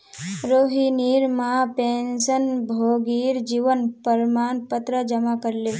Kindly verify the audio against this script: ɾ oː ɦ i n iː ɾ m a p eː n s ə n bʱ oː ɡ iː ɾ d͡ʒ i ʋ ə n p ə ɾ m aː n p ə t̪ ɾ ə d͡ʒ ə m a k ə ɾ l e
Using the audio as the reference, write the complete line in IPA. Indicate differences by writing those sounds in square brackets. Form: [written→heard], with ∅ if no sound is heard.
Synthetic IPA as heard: ɾ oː ɦ i n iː ɾ m a p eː n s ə n bʱ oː ɡ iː ɾ d͡ʒ i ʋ ə n p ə ɾ m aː n p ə t̪ ɾ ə d͡ʒ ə m a k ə ɾ l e